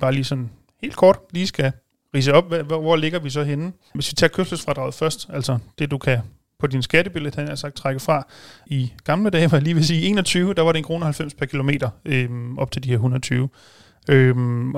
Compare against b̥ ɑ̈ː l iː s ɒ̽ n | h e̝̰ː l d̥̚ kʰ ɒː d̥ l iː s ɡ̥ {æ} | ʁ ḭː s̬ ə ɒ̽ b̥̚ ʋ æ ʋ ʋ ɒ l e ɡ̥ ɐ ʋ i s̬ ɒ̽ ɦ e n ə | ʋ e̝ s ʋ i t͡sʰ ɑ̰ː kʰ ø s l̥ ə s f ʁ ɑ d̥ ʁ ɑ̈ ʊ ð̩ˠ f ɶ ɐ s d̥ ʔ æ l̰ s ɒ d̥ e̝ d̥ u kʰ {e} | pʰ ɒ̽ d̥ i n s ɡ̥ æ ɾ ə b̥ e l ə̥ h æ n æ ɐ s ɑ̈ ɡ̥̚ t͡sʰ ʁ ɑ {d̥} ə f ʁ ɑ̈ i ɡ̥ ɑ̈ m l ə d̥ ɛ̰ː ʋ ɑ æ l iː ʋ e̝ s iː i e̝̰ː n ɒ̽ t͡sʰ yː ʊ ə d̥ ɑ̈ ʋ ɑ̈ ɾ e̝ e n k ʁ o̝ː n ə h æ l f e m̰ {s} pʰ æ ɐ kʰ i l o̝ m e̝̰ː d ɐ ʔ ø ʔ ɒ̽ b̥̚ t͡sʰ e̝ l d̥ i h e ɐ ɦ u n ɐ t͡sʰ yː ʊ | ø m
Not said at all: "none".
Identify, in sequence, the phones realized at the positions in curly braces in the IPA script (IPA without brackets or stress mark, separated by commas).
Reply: æ, æ, ɡ̥, s